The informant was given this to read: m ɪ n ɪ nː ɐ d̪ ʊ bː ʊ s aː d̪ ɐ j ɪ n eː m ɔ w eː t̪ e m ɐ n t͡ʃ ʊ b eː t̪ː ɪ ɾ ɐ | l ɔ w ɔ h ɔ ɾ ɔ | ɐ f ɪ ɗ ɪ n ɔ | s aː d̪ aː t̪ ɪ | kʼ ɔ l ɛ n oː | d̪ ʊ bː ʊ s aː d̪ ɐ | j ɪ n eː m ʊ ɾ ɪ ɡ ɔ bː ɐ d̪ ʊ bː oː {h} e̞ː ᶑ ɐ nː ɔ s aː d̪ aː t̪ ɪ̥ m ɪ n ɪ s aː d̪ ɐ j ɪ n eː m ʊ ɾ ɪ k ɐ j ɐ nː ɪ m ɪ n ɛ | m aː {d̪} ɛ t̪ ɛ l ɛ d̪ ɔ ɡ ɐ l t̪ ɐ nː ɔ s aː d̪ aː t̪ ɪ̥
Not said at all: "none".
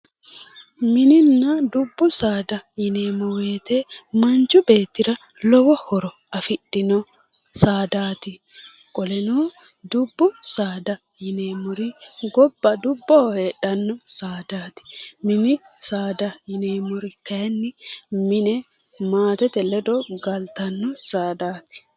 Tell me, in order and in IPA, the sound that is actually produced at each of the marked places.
h, t̪

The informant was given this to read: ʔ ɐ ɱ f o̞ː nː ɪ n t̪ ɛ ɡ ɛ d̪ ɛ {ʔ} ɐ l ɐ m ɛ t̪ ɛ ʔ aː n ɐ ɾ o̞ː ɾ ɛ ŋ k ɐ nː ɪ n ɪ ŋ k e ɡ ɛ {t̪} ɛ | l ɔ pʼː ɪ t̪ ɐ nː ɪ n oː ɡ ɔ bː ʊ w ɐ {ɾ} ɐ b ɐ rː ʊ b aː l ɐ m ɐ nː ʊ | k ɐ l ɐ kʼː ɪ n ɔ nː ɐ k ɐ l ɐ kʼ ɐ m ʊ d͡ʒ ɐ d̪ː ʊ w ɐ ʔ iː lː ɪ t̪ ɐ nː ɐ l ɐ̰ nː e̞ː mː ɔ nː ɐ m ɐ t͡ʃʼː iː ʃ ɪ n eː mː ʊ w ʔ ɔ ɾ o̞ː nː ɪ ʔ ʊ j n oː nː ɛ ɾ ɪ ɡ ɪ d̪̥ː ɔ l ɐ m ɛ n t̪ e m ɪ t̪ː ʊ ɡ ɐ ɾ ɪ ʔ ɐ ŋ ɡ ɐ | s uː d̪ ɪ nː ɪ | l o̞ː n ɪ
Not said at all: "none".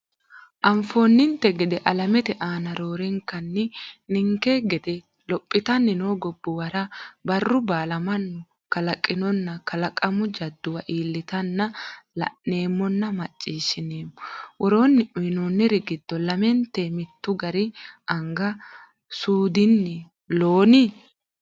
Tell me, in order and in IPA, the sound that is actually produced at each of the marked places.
ʔ, d̪, ɾ

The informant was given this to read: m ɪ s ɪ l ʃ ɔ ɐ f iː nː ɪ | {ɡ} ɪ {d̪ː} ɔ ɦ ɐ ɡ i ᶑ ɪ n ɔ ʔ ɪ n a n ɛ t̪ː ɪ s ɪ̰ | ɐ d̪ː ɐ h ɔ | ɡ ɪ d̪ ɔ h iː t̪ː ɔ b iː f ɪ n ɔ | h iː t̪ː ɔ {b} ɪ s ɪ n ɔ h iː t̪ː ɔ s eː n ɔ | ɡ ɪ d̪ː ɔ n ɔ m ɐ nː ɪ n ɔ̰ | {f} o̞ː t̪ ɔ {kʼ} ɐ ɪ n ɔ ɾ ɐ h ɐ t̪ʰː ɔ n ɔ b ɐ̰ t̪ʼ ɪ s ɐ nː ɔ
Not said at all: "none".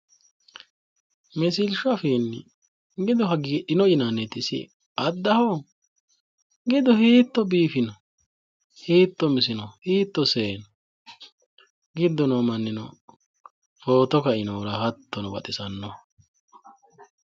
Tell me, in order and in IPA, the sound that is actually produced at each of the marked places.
ɡ, d̪, m, f, k

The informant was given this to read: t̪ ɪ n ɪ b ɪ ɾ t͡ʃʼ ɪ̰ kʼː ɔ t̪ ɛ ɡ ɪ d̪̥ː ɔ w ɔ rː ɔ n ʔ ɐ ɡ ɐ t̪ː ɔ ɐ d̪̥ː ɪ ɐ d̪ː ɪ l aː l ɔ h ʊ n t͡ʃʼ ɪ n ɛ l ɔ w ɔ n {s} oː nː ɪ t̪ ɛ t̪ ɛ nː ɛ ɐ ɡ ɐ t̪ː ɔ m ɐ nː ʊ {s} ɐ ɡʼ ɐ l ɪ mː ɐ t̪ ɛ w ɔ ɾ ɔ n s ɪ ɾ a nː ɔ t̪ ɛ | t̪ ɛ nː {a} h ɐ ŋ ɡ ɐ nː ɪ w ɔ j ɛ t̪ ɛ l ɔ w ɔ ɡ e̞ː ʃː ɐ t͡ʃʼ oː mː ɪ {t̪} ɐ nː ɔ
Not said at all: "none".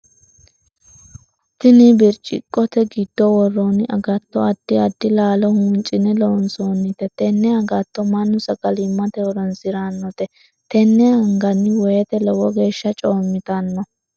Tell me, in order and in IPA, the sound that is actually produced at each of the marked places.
s, s, ɛ, t̪

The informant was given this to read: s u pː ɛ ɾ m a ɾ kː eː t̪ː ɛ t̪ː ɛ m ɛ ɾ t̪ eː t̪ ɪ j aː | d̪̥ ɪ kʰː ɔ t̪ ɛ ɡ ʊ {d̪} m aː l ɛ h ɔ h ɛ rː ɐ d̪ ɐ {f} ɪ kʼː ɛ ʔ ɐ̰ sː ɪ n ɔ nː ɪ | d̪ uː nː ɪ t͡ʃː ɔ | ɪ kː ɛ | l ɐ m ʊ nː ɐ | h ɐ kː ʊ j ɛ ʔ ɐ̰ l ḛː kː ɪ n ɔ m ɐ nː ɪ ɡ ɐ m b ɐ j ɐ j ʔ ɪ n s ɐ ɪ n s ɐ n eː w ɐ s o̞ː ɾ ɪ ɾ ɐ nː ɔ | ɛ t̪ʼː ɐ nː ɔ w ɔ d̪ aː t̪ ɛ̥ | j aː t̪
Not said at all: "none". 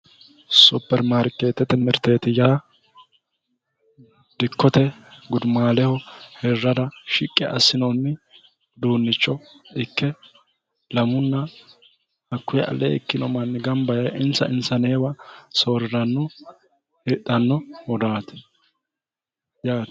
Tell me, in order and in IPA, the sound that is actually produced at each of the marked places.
d̪, ʃ

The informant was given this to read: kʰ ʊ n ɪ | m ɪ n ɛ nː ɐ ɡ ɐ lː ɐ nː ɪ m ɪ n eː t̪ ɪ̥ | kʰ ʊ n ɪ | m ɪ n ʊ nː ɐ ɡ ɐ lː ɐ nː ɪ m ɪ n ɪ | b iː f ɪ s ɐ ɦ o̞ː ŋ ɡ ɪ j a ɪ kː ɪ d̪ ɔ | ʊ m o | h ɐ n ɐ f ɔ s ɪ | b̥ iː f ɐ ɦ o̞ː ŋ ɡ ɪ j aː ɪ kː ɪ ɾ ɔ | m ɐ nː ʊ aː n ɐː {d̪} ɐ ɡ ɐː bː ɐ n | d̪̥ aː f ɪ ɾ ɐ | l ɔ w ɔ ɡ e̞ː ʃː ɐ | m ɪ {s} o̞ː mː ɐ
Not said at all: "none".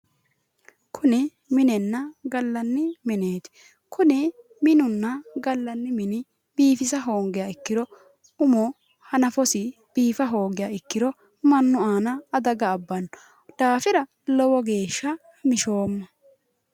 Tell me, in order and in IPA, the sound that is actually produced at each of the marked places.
d̪, ʃ

